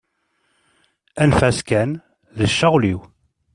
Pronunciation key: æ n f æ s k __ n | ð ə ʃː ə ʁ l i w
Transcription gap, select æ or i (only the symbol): æ